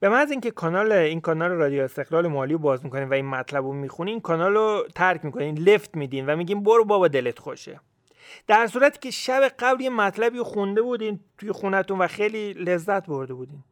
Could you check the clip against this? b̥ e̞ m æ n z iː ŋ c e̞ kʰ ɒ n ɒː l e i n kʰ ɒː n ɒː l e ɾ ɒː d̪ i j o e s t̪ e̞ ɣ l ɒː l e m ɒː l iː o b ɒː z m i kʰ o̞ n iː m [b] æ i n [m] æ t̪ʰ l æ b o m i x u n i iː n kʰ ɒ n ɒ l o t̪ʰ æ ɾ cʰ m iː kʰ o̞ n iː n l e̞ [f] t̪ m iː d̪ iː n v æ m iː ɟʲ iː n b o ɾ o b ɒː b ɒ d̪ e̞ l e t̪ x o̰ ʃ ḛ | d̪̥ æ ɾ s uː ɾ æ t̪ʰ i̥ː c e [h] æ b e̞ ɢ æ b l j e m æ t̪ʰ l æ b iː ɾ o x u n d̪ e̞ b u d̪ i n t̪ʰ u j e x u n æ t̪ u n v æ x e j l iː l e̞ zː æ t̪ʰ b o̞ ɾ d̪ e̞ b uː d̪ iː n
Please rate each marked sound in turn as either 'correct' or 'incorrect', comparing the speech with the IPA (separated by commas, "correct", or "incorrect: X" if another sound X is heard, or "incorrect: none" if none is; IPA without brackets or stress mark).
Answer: incorrect: v, correct, correct, incorrect: ʃ